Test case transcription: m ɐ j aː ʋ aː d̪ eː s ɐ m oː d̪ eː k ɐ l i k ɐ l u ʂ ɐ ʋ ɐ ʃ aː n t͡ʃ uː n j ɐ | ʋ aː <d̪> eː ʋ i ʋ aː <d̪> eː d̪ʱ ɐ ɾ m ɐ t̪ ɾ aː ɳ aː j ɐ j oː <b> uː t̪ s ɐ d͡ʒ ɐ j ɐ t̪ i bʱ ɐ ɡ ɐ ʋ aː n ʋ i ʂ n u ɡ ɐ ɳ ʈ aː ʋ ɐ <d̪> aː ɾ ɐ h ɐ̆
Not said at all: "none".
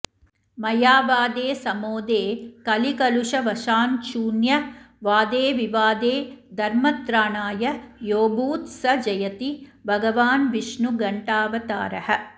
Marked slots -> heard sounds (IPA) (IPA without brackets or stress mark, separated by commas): d̪, d̪, b, t̪